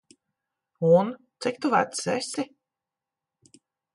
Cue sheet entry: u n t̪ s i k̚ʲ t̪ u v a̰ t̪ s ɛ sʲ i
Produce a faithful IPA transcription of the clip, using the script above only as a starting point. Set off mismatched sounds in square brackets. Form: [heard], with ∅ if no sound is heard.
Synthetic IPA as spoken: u n t̪ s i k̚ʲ t̪ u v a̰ t̪ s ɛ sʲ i